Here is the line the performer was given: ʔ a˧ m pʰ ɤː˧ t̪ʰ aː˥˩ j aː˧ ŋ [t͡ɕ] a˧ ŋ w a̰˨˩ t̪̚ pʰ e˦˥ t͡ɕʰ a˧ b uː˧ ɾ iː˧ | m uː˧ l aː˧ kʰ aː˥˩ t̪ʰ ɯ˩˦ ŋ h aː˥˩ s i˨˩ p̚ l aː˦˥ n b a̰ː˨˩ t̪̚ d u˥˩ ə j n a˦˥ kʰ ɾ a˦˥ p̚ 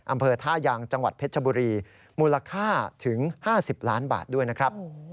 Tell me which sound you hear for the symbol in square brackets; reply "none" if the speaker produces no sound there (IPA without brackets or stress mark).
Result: t͡ɕ